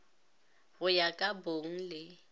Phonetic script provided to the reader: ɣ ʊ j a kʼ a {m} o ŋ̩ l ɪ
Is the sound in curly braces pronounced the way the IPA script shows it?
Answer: no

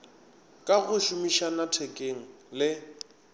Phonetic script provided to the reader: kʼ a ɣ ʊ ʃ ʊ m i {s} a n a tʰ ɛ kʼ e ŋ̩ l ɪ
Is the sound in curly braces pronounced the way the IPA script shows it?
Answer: no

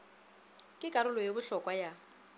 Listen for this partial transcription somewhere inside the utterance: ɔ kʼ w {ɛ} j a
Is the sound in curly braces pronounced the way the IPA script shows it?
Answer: no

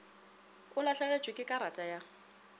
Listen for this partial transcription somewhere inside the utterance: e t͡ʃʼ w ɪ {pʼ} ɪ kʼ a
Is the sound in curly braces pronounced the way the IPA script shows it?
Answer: no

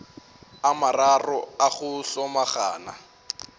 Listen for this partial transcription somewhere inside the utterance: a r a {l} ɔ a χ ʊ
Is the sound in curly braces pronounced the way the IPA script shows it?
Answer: no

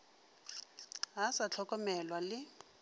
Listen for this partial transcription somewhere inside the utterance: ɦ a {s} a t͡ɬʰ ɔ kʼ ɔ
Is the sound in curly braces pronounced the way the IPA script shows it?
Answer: yes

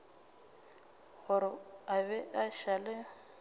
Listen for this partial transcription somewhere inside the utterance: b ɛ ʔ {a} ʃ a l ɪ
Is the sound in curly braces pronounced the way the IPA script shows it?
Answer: yes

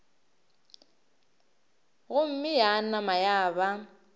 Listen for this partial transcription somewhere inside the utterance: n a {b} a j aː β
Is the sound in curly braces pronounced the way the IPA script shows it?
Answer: no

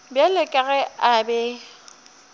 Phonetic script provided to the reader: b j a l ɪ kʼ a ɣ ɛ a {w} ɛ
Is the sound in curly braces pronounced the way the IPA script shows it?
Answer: no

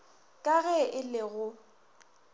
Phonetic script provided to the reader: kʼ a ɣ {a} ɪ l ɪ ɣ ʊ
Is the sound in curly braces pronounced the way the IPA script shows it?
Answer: no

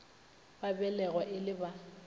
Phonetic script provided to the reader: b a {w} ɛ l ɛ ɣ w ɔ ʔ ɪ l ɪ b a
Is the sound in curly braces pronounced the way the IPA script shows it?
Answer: no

